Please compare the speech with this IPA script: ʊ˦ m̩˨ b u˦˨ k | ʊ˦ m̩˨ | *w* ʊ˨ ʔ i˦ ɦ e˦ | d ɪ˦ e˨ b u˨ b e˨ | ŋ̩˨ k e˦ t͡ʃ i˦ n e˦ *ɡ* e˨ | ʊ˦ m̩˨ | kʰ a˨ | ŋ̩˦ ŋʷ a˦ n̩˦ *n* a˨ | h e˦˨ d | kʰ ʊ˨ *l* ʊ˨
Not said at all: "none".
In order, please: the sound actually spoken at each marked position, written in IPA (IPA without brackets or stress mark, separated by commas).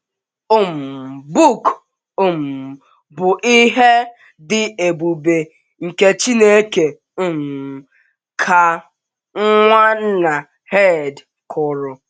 b, k, n, ɾ